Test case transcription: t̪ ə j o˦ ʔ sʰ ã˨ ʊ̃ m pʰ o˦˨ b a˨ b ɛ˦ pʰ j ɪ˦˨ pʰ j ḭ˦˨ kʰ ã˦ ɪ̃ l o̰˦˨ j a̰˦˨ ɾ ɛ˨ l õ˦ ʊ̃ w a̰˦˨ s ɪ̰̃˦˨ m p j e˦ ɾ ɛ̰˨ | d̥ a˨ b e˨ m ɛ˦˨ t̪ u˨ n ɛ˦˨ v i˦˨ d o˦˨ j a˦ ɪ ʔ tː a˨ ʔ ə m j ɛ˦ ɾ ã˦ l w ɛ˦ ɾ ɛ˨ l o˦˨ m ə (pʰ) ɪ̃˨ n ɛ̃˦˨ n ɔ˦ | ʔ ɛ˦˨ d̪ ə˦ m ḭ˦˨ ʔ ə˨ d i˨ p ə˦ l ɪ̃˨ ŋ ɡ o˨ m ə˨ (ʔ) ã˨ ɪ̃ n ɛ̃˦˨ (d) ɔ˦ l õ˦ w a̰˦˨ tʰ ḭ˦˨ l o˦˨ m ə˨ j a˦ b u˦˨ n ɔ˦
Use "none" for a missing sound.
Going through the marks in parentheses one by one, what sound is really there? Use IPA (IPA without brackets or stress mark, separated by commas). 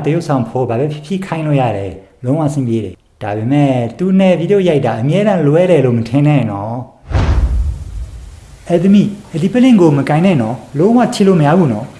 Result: tʰ, k, n